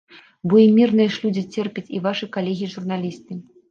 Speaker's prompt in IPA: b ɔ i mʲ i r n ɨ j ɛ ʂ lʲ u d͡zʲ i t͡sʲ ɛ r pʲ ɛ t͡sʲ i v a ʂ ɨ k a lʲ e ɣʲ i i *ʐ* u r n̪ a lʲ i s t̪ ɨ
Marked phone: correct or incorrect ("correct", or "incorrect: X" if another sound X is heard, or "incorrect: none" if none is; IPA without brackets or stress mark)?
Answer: correct